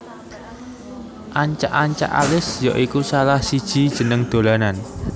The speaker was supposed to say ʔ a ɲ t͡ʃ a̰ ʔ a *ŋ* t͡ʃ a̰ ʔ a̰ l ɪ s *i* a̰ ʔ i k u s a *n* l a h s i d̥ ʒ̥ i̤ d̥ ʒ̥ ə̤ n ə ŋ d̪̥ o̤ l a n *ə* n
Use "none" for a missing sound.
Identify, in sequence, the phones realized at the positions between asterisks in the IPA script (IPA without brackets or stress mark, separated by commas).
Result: ɲ, j, none, a